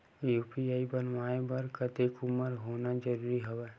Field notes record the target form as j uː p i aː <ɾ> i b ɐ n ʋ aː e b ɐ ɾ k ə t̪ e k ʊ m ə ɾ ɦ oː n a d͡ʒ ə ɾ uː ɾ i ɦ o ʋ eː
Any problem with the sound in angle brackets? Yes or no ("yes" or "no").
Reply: yes